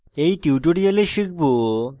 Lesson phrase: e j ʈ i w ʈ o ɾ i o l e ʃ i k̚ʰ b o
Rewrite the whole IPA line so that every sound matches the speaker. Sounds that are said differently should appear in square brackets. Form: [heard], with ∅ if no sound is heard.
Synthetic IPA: e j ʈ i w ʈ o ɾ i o l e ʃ i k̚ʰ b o